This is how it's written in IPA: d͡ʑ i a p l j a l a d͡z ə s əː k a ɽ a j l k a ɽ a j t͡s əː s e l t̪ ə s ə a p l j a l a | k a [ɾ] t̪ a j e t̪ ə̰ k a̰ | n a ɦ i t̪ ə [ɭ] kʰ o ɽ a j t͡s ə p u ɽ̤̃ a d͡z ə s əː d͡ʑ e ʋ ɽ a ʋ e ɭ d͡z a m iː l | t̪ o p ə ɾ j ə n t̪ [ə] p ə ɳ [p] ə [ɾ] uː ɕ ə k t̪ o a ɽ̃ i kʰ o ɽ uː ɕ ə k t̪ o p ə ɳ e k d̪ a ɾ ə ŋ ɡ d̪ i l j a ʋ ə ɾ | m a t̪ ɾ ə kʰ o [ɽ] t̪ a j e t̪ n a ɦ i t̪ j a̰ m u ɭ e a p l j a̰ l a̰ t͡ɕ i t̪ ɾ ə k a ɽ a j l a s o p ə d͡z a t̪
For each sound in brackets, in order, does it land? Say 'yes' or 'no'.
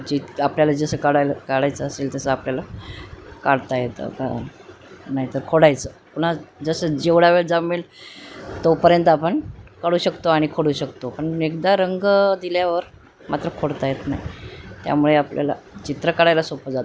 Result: no, no, no, no, no, yes

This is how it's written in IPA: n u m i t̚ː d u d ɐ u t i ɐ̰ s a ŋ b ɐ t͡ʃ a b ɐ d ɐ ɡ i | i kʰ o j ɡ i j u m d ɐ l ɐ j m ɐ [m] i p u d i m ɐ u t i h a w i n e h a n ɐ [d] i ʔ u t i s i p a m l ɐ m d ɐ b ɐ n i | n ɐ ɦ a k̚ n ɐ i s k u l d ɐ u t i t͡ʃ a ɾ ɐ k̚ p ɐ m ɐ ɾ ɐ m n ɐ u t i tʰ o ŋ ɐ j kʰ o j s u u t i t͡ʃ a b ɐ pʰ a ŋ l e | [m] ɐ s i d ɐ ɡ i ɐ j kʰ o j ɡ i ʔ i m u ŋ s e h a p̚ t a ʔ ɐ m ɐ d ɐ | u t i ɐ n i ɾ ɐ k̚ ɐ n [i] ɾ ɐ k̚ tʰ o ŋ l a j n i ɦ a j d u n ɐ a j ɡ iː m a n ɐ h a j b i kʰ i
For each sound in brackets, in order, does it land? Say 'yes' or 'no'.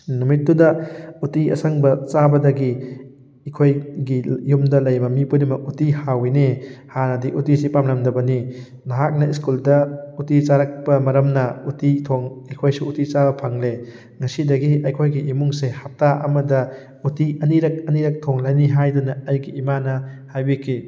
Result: yes, yes, no, yes

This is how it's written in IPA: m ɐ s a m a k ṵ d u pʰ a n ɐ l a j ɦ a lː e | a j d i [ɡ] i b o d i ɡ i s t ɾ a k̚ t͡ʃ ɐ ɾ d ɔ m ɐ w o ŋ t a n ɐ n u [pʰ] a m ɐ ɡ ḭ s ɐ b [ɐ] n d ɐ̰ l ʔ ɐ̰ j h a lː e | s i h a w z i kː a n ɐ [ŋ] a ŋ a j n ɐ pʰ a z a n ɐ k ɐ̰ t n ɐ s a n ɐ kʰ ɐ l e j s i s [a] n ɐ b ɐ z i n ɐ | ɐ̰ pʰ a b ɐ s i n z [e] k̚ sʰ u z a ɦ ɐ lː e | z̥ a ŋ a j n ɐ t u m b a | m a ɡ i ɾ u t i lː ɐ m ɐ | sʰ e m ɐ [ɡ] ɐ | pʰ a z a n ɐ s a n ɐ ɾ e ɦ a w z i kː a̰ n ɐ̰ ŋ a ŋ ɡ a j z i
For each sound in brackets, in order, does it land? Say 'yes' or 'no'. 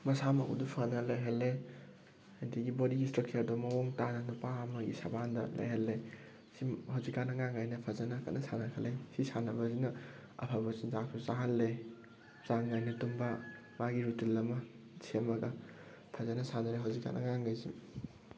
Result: yes, no, no, yes, yes, no, yes

